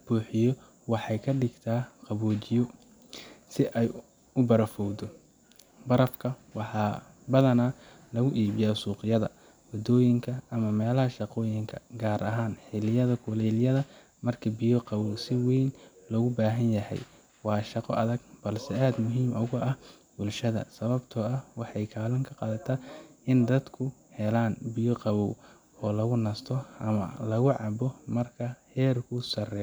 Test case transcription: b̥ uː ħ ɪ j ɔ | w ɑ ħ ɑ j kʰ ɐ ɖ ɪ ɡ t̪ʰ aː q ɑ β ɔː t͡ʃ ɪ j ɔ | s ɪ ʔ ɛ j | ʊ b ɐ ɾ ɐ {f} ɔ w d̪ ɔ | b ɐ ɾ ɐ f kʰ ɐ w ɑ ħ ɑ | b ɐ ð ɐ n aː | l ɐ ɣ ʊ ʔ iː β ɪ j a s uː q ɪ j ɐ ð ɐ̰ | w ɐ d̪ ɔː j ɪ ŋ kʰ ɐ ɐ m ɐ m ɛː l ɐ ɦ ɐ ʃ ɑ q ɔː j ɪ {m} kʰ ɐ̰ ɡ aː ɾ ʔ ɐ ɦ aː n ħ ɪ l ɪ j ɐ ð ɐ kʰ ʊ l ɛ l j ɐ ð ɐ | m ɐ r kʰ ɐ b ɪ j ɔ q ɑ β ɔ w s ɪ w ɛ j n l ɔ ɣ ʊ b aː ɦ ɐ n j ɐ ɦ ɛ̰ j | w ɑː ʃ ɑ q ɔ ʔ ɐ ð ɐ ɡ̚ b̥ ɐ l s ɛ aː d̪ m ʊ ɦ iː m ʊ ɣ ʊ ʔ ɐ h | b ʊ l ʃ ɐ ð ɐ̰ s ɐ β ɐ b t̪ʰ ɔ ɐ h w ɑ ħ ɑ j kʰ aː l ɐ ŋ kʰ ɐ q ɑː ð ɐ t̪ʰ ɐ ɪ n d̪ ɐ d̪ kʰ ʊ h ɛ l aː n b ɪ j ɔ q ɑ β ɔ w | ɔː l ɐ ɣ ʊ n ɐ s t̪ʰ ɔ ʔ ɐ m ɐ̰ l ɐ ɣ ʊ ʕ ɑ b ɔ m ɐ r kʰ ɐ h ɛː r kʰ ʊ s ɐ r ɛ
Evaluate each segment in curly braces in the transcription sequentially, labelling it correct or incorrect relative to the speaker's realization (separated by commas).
correct, incorrect